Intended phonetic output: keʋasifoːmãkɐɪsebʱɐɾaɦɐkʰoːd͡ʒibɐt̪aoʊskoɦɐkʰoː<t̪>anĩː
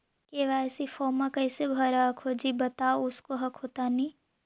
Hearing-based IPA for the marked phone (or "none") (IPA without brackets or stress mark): t̪